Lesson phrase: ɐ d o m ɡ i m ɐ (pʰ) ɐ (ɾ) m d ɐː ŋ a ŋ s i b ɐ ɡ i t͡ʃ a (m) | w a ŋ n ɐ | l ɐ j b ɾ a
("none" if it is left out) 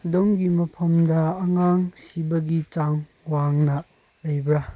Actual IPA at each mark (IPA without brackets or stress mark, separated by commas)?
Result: pʰ, none, ŋ